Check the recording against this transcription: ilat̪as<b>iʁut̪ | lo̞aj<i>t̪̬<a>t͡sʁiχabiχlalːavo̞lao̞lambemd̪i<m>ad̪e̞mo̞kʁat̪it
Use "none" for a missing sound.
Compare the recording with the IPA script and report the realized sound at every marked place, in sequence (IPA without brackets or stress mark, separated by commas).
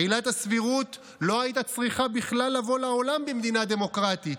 v, i, a, n